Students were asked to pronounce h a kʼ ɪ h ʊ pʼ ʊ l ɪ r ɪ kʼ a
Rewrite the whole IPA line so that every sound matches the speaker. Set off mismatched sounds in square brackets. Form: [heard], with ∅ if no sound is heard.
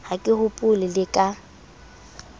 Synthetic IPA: h a kʼ ɪ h ʊ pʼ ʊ l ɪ [l] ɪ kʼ a